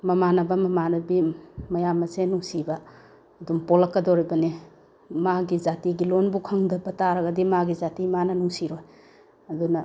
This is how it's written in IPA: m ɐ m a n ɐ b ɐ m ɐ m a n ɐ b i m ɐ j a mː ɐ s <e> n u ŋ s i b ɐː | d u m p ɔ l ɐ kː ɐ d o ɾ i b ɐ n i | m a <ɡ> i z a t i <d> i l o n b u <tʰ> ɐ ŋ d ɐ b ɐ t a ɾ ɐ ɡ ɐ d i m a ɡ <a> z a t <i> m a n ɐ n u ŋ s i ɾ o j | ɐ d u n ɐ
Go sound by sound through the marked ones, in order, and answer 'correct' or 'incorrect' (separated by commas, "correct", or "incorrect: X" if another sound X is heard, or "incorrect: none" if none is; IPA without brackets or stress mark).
correct, correct, incorrect: ɡ, incorrect: kʰ, incorrect: i, correct